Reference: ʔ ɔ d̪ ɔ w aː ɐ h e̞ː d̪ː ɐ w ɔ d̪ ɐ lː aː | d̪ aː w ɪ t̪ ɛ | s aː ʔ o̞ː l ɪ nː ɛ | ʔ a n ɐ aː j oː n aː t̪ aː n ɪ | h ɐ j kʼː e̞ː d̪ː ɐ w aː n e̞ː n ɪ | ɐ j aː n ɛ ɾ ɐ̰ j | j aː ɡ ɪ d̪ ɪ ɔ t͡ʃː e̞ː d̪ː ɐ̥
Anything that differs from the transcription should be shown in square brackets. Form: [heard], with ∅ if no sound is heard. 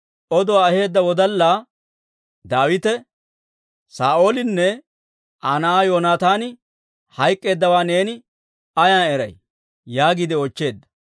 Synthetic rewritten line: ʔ ɔ d̪ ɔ w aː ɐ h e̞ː d̪ː ɐ w ɔ d̪ ɐ lː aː | d̪ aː w ɪ t̪ ɛ | s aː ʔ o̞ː l ɪ nː ɛ | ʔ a n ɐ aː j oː n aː t̪ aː n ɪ | h ɐ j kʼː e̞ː d̪ː ɐ w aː n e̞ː n ɪ | ɐ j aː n ɛ ɾ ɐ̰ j | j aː ɡ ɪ d̪ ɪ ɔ t͡ʃː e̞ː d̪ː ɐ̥